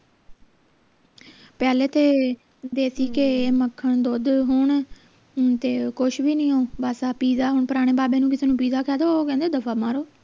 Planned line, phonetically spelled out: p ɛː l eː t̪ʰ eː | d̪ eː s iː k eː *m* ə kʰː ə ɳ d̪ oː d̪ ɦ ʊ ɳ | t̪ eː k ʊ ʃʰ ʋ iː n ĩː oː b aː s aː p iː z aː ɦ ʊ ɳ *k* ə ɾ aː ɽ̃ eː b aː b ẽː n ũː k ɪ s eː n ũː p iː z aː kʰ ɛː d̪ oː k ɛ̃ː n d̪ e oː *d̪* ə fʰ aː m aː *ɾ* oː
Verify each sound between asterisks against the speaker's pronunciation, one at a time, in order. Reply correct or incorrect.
correct, incorrect: p, correct, correct

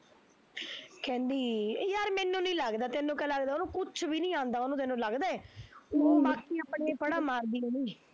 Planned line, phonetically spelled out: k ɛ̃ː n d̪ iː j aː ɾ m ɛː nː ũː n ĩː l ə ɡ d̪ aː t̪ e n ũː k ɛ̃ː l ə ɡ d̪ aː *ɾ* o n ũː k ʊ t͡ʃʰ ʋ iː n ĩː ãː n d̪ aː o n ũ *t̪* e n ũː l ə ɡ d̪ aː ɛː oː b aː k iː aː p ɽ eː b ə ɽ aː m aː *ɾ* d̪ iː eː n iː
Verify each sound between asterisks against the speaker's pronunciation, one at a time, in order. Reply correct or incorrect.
incorrect: none, correct, correct

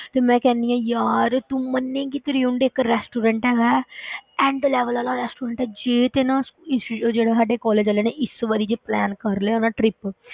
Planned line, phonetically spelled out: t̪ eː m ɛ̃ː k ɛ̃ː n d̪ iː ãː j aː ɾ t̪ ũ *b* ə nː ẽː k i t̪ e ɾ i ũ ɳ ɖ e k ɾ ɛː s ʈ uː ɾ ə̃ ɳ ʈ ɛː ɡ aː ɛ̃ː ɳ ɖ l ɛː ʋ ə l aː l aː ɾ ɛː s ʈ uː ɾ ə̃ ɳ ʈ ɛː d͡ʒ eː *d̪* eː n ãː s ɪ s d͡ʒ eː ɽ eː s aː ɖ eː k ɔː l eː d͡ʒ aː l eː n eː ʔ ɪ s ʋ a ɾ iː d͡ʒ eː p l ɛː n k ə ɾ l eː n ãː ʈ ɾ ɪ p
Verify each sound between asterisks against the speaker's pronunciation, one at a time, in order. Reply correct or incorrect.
incorrect: m, incorrect: t̪

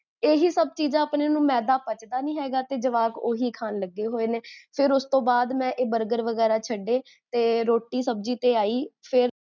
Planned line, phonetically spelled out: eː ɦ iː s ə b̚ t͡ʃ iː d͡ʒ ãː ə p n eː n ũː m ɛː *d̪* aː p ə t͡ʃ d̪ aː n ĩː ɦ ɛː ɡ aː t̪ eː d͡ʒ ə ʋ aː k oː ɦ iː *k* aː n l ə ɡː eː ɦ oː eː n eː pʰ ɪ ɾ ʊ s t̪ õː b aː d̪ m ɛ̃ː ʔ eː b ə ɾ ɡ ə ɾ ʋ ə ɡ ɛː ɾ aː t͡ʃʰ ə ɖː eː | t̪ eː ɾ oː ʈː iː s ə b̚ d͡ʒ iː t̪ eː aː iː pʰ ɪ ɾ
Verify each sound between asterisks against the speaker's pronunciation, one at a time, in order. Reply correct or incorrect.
correct, incorrect: kʰ

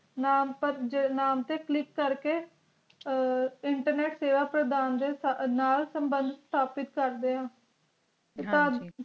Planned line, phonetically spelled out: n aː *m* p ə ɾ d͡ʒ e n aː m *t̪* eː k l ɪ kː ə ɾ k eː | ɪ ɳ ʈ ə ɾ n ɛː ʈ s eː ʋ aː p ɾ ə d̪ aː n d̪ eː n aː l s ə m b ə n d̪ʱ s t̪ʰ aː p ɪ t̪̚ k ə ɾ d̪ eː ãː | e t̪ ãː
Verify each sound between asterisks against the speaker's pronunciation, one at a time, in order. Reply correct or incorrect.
correct, correct

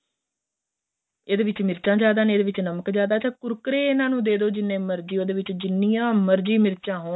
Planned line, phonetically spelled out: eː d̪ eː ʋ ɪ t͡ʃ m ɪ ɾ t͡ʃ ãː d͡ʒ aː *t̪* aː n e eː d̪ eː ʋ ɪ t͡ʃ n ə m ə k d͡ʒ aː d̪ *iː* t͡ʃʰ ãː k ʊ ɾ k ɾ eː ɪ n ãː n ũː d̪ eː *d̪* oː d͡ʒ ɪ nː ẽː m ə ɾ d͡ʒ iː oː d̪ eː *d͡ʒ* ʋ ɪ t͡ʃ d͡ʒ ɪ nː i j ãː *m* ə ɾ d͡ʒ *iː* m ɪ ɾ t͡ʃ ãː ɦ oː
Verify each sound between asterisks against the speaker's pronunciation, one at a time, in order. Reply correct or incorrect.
incorrect: d̪, incorrect: aː, correct, incorrect: none, correct, correct

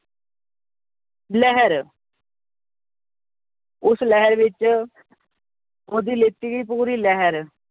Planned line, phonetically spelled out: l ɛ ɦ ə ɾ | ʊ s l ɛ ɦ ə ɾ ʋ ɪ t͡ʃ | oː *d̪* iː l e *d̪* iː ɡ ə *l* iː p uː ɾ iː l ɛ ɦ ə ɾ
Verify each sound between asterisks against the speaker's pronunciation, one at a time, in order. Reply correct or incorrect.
correct, incorrect: t̪, incorrect: none

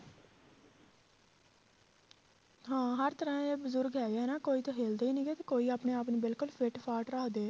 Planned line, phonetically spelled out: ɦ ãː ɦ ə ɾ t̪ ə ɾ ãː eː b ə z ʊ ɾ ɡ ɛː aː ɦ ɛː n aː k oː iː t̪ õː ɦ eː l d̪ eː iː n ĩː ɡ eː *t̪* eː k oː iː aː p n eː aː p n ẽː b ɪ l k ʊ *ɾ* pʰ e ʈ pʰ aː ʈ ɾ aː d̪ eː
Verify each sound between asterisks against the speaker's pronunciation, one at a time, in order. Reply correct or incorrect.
correct, incorrect: l

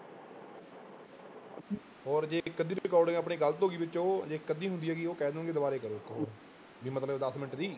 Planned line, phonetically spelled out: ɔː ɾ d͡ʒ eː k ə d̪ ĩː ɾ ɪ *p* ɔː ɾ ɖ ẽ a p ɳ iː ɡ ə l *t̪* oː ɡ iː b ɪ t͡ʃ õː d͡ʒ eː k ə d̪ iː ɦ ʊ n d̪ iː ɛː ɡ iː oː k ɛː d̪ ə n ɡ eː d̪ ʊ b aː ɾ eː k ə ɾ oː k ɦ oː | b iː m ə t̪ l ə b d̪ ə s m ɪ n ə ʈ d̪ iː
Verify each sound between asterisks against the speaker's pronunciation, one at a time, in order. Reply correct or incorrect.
incorrect: k, correct

